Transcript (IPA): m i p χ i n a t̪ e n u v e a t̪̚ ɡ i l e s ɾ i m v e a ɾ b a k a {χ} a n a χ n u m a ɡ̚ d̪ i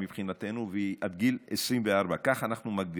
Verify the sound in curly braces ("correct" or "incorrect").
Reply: correct